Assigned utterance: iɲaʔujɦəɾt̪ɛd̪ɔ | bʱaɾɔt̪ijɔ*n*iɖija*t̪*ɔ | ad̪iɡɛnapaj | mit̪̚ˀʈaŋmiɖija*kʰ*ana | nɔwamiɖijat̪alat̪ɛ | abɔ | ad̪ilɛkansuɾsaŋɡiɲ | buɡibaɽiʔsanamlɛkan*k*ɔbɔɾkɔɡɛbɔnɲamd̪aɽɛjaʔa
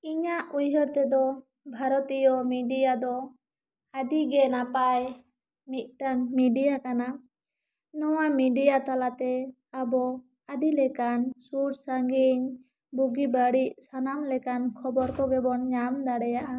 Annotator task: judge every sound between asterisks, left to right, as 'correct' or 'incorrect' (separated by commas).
incorrect, incorrect, incorrect, incorrect